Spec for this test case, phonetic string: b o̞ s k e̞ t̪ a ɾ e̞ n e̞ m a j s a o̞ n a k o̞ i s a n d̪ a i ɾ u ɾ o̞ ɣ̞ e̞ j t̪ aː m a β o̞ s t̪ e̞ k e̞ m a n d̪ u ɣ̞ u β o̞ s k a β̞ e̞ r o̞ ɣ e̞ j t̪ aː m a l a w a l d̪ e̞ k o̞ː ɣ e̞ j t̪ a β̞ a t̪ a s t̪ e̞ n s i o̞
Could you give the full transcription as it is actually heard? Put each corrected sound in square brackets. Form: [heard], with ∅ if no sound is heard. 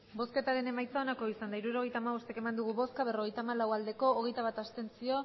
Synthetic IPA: b o̞ s k e̞ t̪ a ɾ e̞ n e̞ m a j [t͡s] a o̞ n a k o̞ i s a n d̪ a i ɾ u ɾ o̞ ɣ̞ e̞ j t̪ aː m a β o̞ s t̪ e̞ k e̞ m a n d̪ u ɣ̞ u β o̞ s k a β̞ e̞ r o̞ ɣ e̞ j t̪ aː m a l a w a l d̪ e̞ k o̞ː ɣ e̞ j t̪ a β̞ a t̪ a s t̪ e̞ n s i o̞